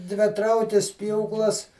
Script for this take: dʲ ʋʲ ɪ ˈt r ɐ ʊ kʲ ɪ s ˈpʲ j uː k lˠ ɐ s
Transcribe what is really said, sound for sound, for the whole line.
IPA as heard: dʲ ʋʲ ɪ ˈt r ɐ ʊ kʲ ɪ s ˈpʲ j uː k lˠ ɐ s